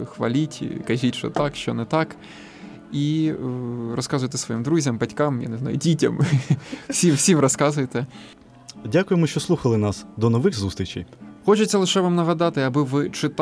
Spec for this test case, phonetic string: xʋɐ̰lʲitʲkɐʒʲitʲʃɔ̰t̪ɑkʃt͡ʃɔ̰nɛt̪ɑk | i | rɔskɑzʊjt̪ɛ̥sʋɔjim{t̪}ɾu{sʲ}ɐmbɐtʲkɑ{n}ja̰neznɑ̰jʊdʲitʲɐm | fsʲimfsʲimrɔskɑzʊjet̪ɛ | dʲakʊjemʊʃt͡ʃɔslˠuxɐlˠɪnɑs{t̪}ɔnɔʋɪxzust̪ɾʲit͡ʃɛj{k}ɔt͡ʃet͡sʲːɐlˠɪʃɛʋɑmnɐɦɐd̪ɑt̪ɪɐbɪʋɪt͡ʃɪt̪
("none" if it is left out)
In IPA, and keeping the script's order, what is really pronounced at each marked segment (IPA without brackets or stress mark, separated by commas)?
d̪, zʲ, m, d̪, x